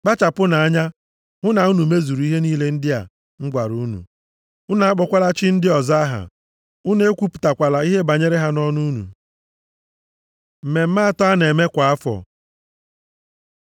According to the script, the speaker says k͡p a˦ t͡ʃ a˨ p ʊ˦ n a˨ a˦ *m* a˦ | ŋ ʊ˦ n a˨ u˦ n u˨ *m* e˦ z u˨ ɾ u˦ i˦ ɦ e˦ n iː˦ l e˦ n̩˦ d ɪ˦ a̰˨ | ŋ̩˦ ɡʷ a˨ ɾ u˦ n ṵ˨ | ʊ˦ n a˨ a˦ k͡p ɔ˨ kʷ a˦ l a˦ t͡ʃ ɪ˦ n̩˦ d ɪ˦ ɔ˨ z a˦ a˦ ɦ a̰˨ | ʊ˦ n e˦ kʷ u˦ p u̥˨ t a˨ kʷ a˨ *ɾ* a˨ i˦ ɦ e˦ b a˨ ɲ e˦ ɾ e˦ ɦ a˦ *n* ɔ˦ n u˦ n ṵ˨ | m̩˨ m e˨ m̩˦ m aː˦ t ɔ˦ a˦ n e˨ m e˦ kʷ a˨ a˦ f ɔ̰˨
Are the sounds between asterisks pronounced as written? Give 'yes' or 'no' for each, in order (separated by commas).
no, yes, no, yes